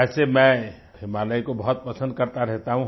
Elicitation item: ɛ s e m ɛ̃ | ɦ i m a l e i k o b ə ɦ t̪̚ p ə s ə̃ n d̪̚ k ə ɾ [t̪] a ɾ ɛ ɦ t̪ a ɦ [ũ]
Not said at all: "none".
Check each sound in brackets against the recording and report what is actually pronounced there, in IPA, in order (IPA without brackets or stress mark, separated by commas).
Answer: t̪, ũ